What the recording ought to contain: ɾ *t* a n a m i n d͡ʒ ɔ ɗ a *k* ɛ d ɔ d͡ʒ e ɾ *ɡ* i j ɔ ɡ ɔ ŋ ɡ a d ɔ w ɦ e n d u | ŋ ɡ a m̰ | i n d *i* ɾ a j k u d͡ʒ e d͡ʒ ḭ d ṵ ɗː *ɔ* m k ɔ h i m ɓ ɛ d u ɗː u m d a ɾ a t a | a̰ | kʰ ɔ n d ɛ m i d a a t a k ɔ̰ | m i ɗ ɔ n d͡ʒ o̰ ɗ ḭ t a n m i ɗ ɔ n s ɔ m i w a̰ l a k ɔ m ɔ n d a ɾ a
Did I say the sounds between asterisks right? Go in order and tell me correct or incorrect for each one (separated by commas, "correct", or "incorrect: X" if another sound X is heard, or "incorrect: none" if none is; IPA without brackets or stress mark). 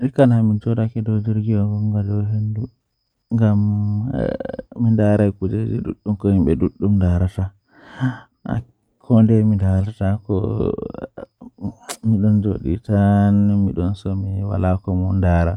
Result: incorrect: k, correct, correct, incorrect: a, incorrect: u